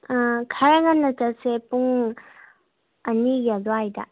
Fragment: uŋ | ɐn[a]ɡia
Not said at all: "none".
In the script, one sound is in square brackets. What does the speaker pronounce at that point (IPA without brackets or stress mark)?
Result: i